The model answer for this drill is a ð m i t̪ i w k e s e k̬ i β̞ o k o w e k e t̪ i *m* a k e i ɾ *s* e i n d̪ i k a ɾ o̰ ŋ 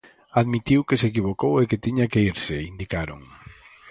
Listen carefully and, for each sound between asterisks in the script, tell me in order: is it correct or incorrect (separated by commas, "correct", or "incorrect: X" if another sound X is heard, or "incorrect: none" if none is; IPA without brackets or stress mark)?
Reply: incorrect: ɲ, correct